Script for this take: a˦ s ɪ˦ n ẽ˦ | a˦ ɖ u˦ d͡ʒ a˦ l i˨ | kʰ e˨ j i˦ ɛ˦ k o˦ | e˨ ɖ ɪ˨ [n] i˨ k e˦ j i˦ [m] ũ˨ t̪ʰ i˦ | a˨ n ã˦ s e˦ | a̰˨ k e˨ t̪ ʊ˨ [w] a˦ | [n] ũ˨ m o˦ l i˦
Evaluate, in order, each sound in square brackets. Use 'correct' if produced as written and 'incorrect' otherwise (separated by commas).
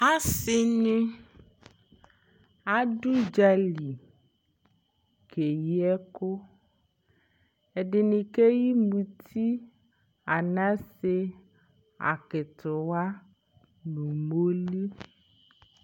correct, correct, correct, correct